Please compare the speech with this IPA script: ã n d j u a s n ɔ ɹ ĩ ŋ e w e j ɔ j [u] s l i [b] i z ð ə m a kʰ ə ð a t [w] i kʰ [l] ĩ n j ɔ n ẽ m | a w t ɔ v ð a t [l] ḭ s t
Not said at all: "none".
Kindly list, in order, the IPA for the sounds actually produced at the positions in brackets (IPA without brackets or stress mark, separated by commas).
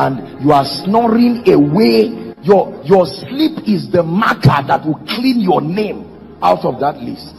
ɔ, p, w, l, l